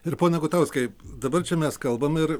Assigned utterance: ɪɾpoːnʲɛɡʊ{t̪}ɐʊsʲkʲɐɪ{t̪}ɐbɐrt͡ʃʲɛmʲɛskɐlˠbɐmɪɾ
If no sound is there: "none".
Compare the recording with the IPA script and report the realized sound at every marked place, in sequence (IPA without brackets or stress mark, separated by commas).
t̪, d̪